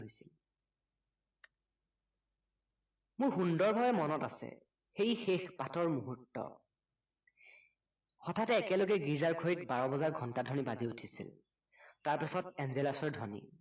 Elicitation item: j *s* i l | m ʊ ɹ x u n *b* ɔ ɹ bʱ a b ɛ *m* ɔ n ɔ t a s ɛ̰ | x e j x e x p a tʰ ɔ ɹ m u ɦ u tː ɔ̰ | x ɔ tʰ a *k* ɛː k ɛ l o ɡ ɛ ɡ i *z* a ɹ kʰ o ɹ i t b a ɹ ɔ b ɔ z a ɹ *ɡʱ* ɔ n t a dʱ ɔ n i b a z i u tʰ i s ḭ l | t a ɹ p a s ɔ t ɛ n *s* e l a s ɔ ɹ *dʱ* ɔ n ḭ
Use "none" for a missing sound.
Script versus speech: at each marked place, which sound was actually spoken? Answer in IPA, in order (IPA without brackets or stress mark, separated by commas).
s, d, m, t, z, ɡʱ, z, dʱ